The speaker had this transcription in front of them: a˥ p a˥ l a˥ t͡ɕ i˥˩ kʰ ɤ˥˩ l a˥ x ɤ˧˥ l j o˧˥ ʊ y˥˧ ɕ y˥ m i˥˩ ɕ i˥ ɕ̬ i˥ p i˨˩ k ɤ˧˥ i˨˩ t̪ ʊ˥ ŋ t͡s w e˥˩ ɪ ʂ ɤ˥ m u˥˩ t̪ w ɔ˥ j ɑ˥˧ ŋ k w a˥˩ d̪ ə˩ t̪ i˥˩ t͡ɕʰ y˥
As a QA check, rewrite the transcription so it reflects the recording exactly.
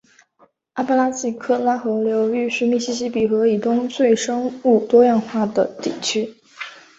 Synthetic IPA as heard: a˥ p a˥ l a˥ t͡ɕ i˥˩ kʰ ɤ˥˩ l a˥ x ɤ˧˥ l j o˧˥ ʊ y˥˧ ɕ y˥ m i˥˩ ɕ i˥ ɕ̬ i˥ p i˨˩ x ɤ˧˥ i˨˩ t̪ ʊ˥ ŋ t͡s w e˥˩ ɪ ʂ ɤ˥ ŋ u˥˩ t̪ w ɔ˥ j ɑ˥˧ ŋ x w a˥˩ d̪ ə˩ t̪ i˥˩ t͡ɕʰ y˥

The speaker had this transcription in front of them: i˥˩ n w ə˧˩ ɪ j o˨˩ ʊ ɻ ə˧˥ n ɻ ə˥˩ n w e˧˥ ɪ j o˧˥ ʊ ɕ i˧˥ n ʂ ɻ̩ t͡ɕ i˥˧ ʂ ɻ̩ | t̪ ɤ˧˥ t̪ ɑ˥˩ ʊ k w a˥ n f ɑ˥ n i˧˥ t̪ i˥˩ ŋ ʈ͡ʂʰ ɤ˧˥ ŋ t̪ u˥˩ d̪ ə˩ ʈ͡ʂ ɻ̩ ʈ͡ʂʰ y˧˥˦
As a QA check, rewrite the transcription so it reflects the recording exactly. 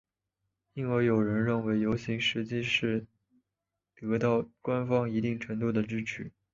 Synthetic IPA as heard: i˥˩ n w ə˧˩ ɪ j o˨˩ ʊ ɻ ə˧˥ n ɻ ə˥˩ n w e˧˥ ɪ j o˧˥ ʊ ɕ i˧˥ ŋ ʂ ɻ̩ t͡ɕ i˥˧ ʂ ɻ̩ | t̪ ɤ˧˥ t̪ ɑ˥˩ ʊ k w a˥ n f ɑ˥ ŋ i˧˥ t̪ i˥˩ ŋ ʈ͡ʂʰ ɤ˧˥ ŋ t̪ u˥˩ d̪ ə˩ ʈ͡ʂ ɻ̩ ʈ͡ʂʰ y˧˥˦

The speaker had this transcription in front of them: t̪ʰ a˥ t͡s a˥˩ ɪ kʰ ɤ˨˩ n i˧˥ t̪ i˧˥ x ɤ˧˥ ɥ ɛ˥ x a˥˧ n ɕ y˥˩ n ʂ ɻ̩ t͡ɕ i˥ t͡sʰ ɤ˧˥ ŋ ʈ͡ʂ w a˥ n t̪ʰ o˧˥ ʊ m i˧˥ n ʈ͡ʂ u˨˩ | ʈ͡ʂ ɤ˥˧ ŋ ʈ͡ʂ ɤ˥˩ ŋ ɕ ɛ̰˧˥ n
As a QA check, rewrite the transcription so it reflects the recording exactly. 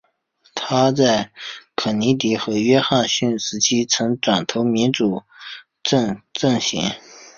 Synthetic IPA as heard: t̪ʰ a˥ t͡s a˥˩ ɪ kʰ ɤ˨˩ n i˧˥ t̪ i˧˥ x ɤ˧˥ ɥ ɛ˥ x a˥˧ n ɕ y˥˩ n ʂ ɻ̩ t͡ɕʰ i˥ t͡sʰ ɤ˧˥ ŋ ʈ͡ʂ w a˨˩ n t̪ʰ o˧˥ ʊ m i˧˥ n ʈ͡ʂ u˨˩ | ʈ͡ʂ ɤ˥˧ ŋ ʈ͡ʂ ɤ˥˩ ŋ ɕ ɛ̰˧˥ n

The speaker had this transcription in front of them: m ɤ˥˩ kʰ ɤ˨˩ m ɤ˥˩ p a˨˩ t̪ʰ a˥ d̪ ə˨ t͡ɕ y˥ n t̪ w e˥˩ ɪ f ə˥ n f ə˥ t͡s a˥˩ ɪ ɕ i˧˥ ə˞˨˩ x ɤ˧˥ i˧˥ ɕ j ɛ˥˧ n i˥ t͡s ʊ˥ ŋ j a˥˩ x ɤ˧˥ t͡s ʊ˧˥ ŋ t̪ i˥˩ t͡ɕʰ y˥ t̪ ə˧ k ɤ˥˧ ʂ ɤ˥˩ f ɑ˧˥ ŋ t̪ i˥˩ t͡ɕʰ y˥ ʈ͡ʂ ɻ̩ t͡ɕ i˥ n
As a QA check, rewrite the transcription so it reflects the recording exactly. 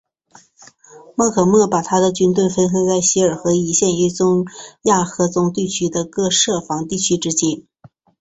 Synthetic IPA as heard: m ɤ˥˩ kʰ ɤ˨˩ m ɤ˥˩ p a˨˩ t̪ʰ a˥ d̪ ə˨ t͡ɕ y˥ n t̪ w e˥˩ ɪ f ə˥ n x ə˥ t͡s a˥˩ ɪ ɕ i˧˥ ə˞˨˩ x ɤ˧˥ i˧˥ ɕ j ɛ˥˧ n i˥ t͡s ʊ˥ ŋ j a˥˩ x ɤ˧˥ t͡s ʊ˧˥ ŋ t̪ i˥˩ t͡ɕʰ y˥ d̪ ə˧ k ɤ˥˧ ʂ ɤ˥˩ f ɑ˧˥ ŋ t̪ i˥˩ t͡ɕʰ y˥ ʈ͡ʂ ɻ̩ t͡ɕ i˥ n

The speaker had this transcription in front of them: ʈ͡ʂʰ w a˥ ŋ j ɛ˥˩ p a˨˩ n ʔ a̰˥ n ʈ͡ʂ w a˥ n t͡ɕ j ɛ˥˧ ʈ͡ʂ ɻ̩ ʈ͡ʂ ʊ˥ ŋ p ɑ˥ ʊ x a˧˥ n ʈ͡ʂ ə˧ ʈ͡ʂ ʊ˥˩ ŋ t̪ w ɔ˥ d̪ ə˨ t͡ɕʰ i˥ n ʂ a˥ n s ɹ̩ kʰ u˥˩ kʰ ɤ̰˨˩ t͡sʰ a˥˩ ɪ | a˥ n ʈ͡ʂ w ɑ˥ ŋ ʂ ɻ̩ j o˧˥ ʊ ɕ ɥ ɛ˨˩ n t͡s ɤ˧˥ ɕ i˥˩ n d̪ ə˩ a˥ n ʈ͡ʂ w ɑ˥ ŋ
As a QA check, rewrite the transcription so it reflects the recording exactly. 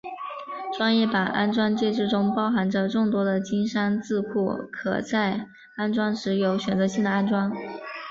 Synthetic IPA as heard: ʈ͡ʂ w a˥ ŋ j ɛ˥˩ p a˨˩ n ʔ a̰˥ n ʈ͡ʂ w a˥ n t͡ɕ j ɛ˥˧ ʈ͡ʂ ɻ̩ ʈ͡ʂ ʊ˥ ŋ p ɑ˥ ʊ x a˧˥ n ʈ͡ʂ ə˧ ʈ͡ʂ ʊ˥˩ ŋ t̪ w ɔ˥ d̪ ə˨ t͡ɕ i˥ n ʂ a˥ n t͡s ɹ̩ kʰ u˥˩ kʰ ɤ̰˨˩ t͡s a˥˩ ɪ | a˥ n ʈ͡ʂ w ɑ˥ ŋ ʂ ɻ̩ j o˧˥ ʊ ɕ ɥ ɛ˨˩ n t͡s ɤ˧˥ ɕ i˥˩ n d̪ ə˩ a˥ n ʈ͡ʂ w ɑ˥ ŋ

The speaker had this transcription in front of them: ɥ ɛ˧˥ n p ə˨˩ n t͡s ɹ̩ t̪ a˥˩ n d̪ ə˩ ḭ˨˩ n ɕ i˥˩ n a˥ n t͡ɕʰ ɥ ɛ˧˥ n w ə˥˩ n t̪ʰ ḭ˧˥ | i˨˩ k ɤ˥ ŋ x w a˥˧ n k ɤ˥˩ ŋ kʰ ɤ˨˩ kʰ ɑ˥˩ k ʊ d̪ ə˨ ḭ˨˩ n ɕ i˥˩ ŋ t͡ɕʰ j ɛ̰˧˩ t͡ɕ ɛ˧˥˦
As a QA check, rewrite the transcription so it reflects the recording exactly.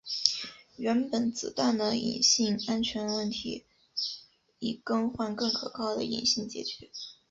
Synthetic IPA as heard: ɥ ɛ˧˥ n p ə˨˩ n t͡s ɹ̩ t̪ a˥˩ n d̪ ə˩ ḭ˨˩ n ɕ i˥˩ ŋ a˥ n t͡ɕʰ ɥ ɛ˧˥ n w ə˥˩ n t̪ʰ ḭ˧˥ | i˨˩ k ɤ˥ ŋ x w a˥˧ n k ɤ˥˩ ŋ kʰ ɤ˨˩ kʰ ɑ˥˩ ʊ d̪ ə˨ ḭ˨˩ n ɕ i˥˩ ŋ t͡ɕ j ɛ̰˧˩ t͡ɕ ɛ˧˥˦

